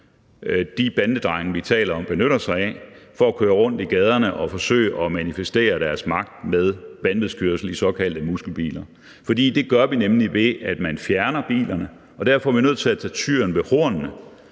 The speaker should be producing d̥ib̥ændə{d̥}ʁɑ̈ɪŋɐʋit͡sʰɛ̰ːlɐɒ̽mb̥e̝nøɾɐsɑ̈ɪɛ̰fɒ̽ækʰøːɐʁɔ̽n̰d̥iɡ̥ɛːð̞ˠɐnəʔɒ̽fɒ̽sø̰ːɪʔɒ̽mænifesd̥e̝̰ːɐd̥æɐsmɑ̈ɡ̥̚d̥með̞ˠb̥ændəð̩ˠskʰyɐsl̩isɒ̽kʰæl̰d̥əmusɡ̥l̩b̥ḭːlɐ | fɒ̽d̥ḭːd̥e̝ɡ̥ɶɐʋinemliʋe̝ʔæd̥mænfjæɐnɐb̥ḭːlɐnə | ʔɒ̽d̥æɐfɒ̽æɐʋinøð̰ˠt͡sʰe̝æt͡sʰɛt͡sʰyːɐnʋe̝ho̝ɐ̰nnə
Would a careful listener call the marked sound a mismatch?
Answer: no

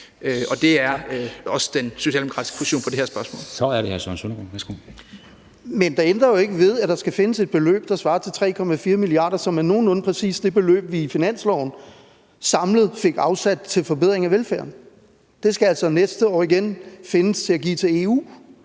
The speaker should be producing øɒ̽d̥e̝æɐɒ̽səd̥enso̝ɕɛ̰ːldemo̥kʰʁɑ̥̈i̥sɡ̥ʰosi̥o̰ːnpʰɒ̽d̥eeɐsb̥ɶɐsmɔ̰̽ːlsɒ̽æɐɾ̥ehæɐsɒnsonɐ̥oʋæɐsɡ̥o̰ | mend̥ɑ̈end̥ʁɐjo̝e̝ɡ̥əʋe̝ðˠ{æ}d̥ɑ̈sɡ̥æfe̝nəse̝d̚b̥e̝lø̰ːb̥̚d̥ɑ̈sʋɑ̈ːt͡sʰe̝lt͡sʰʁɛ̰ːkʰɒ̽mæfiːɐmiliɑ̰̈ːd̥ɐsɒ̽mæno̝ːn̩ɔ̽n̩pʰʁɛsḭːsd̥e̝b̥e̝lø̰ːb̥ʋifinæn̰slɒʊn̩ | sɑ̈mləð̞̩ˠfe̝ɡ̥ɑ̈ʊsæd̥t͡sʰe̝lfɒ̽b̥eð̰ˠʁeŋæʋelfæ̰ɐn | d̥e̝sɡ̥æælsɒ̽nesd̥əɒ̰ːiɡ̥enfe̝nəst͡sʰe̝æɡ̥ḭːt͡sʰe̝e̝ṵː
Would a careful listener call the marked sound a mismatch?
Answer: no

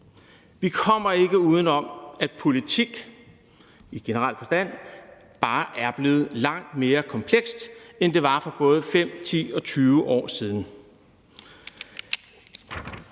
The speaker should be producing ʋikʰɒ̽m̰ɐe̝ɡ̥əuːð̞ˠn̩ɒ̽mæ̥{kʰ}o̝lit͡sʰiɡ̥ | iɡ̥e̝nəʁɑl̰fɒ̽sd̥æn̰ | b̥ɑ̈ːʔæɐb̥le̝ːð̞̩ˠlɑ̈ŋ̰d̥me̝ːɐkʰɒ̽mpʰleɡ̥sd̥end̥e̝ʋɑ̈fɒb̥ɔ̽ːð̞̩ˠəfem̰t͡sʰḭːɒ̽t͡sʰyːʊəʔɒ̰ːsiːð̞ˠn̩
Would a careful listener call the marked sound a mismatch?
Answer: yes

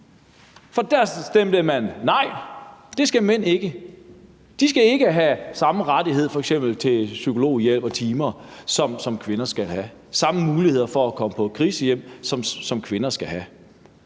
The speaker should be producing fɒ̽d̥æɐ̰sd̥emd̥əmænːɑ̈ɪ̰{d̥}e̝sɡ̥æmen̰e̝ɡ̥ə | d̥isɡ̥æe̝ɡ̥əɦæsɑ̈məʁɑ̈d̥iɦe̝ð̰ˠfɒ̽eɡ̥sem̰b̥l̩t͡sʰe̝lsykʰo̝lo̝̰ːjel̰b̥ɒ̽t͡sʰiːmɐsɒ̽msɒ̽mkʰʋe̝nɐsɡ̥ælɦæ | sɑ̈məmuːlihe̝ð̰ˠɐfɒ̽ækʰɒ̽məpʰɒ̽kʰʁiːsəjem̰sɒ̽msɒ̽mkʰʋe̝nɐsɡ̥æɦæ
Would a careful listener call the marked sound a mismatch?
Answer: no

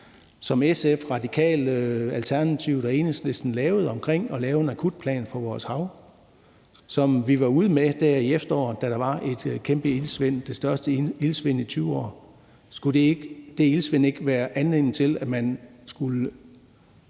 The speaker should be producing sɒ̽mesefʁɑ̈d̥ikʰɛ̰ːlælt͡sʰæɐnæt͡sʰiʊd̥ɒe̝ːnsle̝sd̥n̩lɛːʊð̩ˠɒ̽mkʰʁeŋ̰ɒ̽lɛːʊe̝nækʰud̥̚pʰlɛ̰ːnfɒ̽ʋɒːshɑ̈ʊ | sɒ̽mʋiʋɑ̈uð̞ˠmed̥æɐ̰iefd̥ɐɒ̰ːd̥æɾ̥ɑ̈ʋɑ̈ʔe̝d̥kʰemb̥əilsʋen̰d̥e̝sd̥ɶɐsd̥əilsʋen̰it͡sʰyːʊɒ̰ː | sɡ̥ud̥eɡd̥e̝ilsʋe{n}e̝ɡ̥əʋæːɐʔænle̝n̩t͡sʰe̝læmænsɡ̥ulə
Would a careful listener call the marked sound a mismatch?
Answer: no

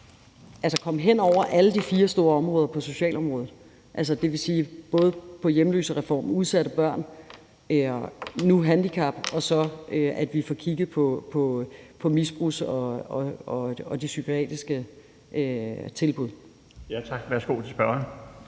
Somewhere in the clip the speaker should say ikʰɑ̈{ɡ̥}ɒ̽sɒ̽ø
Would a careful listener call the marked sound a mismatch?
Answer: yes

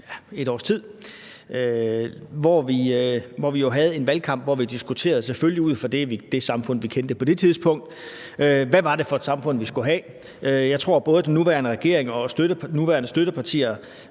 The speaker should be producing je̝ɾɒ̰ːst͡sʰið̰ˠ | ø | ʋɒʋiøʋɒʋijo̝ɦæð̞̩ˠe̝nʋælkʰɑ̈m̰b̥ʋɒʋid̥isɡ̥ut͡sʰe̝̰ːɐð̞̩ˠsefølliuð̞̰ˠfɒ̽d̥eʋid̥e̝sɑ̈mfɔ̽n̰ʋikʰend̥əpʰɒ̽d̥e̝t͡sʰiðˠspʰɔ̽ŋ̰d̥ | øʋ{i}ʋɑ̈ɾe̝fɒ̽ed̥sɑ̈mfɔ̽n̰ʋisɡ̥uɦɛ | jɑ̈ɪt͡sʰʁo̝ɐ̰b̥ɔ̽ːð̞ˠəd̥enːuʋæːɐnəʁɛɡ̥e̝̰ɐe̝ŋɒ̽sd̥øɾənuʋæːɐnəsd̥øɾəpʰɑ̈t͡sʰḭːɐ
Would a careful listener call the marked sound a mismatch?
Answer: yes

